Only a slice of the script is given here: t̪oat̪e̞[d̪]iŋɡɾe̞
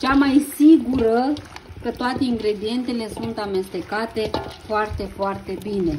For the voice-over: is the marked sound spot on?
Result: no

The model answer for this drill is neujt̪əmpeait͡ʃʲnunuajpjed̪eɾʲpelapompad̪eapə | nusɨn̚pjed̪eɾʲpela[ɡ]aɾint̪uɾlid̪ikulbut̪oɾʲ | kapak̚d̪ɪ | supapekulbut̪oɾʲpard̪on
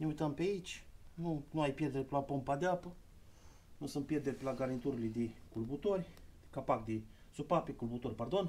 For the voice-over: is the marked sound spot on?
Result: yes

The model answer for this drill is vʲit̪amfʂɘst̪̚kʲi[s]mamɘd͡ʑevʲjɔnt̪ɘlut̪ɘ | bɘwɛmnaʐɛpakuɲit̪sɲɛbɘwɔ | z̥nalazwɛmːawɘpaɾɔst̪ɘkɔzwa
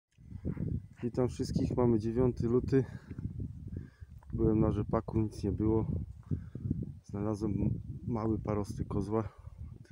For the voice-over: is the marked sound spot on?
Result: no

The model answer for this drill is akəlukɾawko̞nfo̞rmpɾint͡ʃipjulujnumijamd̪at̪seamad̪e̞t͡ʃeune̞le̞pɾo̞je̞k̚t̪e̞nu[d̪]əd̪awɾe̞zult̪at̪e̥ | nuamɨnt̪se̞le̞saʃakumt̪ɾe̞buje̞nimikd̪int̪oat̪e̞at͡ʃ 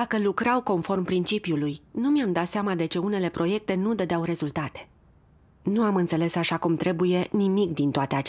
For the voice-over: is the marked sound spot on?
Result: yes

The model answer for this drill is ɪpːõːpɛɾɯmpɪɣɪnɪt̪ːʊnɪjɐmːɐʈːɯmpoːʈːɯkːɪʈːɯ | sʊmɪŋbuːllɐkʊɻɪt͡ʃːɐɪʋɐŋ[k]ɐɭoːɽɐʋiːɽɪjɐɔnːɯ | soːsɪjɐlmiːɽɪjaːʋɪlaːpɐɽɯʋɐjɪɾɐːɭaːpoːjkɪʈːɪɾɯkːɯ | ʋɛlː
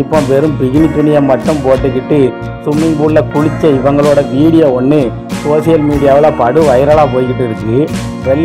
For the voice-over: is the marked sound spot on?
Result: no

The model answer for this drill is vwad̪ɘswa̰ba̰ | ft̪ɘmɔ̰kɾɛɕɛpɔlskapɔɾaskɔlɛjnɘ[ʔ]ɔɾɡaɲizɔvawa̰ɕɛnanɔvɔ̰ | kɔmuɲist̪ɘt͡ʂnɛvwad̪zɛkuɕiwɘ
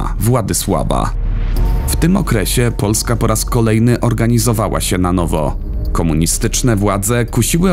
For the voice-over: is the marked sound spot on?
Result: yes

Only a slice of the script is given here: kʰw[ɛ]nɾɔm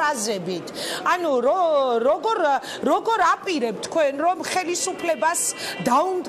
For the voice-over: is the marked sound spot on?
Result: yes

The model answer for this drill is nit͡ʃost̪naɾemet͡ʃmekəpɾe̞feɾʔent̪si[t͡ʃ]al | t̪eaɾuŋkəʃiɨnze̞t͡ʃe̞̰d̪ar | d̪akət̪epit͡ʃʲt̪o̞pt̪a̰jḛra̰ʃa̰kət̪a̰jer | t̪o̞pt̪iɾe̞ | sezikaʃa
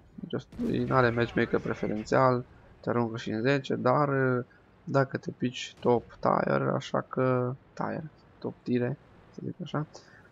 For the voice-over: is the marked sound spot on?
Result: no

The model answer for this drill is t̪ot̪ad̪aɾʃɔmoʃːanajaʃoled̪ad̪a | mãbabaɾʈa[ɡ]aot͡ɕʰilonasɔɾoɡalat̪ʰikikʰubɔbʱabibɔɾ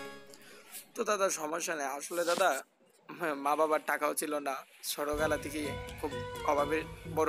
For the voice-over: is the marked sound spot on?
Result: no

